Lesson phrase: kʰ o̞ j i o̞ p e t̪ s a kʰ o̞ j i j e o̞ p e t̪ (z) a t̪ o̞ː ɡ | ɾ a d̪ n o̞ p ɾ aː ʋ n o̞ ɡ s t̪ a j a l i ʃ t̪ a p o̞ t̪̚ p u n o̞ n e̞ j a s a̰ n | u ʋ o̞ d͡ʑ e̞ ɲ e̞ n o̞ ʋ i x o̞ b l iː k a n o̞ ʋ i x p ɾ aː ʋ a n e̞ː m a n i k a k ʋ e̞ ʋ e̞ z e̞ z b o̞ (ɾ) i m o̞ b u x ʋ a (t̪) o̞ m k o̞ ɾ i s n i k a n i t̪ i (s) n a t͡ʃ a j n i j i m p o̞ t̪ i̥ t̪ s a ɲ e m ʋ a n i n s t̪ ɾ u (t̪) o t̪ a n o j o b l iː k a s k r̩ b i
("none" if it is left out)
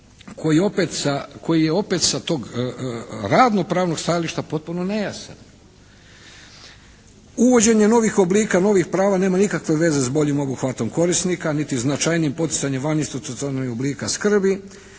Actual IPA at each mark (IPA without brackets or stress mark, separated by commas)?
s, ʎ, t̪, z, t̪